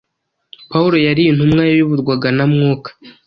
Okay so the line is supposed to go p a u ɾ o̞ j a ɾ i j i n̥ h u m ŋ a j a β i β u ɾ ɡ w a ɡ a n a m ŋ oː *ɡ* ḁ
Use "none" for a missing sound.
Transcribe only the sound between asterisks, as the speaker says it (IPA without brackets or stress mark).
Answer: k